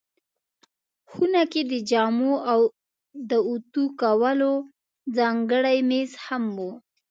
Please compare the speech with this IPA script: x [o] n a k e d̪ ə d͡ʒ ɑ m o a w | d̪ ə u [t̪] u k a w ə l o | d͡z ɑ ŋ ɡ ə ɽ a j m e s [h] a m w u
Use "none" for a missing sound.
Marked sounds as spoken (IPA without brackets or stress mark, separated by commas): u, t̪, h